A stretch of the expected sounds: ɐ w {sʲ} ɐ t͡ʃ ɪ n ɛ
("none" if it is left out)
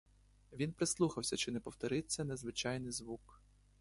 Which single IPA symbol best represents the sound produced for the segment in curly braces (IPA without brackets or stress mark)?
sʲ